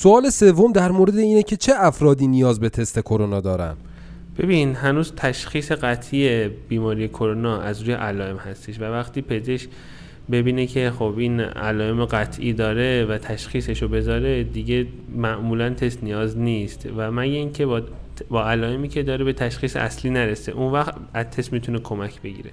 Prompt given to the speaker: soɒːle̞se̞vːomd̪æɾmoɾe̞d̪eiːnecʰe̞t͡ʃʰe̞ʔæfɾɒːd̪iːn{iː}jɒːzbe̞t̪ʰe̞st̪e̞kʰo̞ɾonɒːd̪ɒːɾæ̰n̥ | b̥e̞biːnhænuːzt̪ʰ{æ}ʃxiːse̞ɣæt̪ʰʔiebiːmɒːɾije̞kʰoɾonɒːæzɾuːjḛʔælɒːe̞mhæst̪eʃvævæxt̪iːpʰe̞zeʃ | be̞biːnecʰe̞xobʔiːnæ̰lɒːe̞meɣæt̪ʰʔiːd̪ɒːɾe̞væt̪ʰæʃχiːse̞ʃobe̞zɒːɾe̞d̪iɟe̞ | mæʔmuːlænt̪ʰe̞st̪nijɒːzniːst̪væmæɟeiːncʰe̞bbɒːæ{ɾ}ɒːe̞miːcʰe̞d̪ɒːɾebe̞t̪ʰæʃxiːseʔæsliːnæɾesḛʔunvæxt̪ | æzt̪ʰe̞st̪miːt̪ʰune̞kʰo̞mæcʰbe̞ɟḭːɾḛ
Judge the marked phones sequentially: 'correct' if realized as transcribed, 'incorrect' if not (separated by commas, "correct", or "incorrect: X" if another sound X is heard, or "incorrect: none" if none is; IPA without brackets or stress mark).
incorrect: i, correct, incorrect: l